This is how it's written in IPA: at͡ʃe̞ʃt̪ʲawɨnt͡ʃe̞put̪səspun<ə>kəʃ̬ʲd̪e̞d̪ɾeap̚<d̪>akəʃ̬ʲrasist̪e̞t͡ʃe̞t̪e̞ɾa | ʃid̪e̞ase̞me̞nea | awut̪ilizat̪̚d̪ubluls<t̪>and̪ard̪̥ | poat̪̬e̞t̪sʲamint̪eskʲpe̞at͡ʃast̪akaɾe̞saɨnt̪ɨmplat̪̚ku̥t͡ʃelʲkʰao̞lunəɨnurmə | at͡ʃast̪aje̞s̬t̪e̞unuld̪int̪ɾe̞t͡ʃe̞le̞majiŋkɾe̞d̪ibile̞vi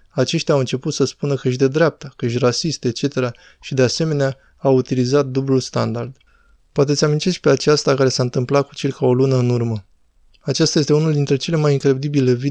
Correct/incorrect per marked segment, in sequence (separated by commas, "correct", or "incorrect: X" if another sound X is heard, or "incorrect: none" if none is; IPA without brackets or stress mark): correct, incorrect: t̪, correct